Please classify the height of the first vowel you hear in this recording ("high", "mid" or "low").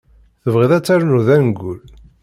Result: mid